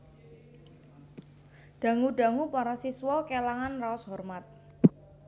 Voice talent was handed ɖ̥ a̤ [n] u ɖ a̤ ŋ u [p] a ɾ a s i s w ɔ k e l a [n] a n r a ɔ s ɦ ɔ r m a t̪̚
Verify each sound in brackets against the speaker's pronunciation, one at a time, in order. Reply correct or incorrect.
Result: incorrect: ŋ, correct, incorrect: ŋ

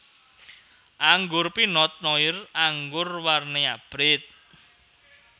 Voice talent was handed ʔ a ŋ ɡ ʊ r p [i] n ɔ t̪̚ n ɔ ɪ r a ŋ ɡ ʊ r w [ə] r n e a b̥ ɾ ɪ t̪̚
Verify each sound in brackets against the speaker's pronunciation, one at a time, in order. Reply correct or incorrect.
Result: correct, incorrect: a

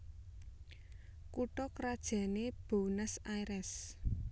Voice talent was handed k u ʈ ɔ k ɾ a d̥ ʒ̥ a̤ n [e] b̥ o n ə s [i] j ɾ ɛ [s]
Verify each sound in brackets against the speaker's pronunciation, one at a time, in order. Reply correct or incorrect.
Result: correct, incorrect: a, correct

